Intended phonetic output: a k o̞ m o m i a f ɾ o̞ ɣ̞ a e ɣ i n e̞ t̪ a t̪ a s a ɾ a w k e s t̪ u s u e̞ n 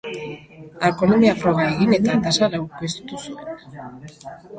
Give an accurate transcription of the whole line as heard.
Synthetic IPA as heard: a k o̞ n o m i a f ɾ o̞ ɣ̞ a e ɣ i n e̞ t̪ a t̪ a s a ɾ a w k e s t̪ u s u e̞ n